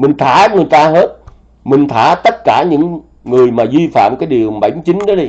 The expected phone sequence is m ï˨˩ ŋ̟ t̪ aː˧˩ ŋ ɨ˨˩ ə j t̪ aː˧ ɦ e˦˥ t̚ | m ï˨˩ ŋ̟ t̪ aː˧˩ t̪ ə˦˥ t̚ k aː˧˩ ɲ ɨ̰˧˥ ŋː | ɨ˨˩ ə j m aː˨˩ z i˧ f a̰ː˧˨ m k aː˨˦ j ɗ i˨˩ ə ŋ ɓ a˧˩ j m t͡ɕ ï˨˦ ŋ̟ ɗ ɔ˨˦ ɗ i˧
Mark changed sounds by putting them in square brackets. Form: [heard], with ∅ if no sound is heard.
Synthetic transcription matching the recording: m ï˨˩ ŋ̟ [t̪ʰ] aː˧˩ ŋ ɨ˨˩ ə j t̪ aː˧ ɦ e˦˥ t̚ | m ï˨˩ ŋ̟ [t̪ʰ] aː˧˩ t̪ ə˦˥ t̚ k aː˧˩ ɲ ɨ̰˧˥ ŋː | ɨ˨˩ ə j m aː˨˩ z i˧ f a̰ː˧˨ m k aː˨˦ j ɗ i˨˩ ə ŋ ɓ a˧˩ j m t͡ɕ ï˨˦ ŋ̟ ɗ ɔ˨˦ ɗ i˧

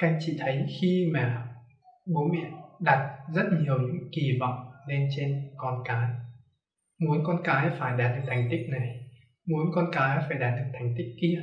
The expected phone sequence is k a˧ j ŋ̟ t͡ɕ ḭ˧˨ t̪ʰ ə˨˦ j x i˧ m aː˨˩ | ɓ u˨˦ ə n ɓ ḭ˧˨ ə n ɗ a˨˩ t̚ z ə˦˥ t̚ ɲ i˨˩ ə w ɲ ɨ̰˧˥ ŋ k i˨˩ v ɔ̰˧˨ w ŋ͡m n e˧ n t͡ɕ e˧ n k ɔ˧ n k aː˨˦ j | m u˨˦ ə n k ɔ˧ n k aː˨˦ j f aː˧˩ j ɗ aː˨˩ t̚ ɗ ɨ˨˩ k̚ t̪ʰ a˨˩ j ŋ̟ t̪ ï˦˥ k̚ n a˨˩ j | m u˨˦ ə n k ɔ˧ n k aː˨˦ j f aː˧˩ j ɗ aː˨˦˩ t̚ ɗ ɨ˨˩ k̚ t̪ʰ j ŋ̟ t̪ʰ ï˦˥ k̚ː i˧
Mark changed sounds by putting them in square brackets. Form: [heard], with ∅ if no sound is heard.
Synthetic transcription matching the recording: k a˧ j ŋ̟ t͡ɕ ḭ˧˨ t̪ʰ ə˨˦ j x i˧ m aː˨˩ | ɓ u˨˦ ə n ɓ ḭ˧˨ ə n ɗ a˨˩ t̚ z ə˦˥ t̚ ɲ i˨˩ ə w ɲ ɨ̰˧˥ ŋ k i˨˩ v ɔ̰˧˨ w ŋ͡m n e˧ n t͡ɕ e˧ n k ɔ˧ n k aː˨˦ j | m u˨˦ ə n k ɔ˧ n k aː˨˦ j f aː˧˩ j ɗ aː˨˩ t̚ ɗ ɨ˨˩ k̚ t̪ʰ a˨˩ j ŋ̟ t̪ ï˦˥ k̚ n a˨˩ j | m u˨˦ ə n k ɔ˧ n k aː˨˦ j f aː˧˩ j ɗ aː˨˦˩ t̚ ɗ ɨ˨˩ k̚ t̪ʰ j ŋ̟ [t̪] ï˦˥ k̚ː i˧

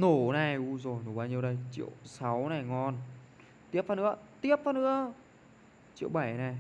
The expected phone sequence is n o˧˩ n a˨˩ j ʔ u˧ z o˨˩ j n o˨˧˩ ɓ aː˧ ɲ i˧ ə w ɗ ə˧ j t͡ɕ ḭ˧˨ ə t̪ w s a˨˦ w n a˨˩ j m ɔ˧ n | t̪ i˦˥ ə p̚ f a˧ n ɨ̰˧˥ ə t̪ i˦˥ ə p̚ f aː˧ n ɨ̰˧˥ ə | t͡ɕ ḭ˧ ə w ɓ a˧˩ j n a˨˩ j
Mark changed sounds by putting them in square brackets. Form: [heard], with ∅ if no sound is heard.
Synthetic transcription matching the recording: n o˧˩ n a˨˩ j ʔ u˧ z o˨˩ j n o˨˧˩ ɓ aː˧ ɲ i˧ ə w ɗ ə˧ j t͡ɕ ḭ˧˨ ə [∅] w s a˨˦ w n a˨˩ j [ŋ] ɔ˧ n | t̪ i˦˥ ə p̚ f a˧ n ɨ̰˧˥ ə t̪ i˦˥ ə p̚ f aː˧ n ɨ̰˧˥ ə | t͡ɕ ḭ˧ ə w ɓ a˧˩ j n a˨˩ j

